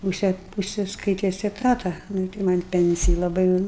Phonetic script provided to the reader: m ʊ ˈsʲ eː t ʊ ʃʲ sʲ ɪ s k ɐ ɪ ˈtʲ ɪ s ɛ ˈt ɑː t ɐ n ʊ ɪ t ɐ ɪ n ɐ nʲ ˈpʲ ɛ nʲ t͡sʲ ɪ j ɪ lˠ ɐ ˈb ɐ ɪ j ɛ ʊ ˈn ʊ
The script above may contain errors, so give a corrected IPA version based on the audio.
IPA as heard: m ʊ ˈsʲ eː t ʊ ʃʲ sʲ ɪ s k ɐ ɪ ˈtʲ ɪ s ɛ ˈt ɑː t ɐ n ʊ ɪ t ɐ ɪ m ɐ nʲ ˈpʲ ɛ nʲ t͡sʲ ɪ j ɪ lˠ ɐ ˈb ɐ ɪ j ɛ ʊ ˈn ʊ